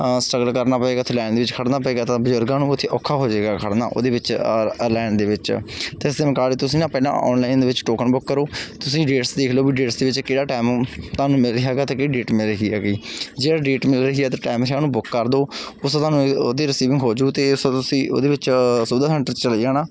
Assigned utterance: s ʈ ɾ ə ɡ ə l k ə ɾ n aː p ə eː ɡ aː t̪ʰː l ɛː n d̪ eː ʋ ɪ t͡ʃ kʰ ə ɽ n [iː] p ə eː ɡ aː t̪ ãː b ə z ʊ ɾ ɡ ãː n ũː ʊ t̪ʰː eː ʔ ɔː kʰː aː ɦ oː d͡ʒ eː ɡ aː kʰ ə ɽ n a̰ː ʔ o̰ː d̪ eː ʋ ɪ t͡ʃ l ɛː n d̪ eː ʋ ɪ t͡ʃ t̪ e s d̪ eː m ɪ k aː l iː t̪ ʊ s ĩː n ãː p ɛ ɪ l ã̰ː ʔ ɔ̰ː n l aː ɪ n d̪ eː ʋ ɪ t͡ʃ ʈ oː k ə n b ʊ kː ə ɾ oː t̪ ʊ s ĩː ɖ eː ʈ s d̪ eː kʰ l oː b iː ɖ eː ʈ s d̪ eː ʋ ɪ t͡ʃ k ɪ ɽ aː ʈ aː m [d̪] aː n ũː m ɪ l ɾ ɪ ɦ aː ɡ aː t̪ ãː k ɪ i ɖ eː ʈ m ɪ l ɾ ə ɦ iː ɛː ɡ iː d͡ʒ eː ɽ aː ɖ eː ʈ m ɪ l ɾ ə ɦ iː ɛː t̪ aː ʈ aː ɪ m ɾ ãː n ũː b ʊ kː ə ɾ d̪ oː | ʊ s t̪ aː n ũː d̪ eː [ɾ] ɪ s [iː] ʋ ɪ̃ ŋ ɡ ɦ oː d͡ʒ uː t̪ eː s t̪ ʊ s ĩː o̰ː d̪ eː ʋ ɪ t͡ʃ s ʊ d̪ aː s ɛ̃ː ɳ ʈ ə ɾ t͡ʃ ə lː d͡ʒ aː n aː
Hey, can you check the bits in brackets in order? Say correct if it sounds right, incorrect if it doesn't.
incorrect: aː, incorrect: t̪, correct, correct

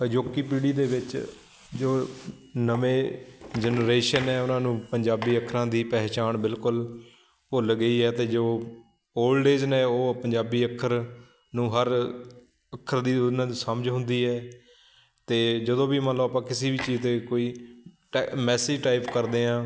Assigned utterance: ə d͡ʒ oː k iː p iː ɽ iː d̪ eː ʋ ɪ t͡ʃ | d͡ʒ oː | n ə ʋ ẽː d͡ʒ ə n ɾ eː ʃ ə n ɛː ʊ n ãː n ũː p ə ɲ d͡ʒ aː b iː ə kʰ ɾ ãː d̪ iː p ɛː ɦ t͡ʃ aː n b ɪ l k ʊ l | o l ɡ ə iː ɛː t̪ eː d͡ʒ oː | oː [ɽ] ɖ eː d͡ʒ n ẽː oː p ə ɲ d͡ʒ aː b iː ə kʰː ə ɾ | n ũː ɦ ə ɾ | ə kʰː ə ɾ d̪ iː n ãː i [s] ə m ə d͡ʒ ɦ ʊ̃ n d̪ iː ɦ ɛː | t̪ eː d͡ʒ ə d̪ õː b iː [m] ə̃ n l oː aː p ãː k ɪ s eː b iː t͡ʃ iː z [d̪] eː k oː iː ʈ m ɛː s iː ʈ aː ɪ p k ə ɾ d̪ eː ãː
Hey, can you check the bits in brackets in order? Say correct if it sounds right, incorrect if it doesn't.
incorrect: l, correct, correct, incorrect: t̪

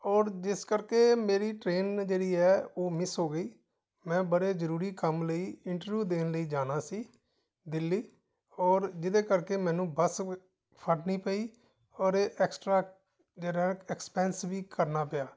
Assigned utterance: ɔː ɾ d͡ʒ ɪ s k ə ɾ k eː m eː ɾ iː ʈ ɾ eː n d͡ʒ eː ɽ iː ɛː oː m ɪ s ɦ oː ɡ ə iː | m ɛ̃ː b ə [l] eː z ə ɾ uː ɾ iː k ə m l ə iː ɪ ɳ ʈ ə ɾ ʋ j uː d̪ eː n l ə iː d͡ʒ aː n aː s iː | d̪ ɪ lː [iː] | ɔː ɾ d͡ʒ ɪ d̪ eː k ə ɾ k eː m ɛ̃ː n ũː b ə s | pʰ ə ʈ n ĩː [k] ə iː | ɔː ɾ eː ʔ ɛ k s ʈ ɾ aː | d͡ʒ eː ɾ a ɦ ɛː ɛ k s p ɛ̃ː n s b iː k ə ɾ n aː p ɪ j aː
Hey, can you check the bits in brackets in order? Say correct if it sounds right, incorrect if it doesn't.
incorrect: ɽ, correct, incorrect: p

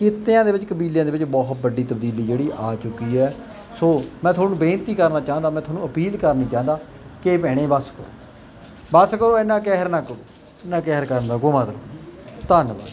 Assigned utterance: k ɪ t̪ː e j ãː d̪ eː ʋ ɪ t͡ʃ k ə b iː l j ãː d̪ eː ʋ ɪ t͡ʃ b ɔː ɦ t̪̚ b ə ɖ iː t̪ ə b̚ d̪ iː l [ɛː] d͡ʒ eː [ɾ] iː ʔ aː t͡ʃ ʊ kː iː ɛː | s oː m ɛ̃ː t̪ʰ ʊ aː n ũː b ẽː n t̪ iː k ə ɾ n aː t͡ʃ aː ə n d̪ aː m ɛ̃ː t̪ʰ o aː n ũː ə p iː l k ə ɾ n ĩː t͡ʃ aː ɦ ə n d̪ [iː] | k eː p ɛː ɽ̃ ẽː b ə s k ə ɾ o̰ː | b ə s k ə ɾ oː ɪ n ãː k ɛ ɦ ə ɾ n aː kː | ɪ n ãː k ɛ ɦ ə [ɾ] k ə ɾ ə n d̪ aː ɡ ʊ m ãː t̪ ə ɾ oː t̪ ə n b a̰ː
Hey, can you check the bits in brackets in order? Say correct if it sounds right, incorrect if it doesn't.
incorrect: iː, incorrect: ɽ, incorrect: aː, correct

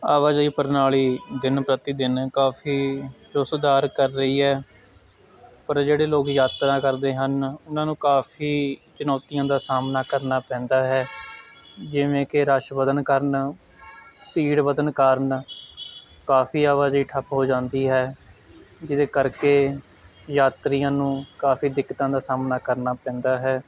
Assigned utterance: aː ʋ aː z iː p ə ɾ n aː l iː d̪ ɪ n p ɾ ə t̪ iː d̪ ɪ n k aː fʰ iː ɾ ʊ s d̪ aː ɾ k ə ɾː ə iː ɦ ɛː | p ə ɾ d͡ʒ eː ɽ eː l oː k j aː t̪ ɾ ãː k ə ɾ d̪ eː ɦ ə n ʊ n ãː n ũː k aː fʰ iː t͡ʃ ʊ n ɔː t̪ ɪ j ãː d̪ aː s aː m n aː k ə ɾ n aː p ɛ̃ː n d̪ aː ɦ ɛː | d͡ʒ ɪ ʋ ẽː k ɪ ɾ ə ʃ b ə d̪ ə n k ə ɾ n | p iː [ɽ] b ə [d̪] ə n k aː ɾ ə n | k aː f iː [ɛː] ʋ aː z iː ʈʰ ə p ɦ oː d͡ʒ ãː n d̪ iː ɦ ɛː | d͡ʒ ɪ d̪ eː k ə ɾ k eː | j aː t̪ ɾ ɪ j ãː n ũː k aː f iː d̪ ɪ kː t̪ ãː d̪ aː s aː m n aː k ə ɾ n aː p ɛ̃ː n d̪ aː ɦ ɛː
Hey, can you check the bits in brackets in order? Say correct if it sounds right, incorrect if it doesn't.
correct, correct, incorrect: aː

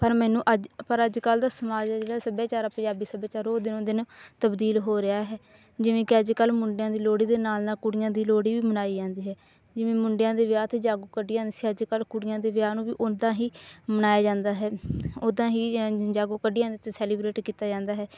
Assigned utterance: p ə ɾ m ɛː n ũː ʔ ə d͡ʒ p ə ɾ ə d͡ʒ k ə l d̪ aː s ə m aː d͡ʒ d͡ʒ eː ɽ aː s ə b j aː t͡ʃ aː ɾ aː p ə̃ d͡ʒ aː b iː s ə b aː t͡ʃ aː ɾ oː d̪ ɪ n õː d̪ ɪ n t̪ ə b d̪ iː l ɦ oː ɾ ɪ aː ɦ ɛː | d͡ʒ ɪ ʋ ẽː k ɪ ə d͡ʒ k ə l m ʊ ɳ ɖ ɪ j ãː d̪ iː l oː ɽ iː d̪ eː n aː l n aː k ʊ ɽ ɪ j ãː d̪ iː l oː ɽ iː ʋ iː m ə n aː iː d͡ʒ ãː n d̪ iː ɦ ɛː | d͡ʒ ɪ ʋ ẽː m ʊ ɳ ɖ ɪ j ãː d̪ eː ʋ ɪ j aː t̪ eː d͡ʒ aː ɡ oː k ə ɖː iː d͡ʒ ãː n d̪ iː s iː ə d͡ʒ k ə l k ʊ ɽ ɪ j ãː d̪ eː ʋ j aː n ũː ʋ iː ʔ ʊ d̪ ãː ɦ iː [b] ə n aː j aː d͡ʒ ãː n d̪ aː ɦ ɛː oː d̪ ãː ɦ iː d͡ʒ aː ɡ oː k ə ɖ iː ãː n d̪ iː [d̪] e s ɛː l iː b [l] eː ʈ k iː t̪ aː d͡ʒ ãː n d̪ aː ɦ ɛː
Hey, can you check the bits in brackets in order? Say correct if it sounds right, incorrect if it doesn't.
incorrect: m, incorrect: t̪, incorrect: ɾ

